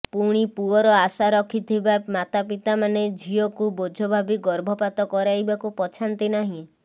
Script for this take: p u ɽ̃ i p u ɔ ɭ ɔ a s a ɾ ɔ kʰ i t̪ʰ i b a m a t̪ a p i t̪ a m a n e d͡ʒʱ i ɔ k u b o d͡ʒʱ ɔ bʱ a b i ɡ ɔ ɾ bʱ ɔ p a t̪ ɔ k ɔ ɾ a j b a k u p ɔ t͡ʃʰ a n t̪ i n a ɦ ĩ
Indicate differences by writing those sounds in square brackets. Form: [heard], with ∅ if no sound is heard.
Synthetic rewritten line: p u ɽ̃ i p u ɔ [ɾ] ɔ a s a ɾ ɔ kʰ i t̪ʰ i b a m a t̪ a p i t̪ a m a n e d͡ʒʱ i ɔ k u b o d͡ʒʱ ɔ bʱ a b i ɡ ɔ ɾ bʱ ɔ p a t̪ ɔ k ɔ ɾ a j b a k u p ɔ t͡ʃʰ a n t̪ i n a ɦ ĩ